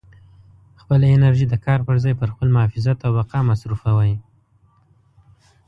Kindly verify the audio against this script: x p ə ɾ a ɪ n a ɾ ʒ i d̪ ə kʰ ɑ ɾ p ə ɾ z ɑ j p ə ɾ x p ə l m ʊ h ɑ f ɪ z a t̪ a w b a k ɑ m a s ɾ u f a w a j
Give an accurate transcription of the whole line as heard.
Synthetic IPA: x p ə l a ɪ n a ɾ ʒ i d̪ ə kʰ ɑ ɾ p ə ɾ z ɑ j p ə ɾ x p ə l m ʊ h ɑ f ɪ z a t̪ a w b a q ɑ m a s ɾ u f a w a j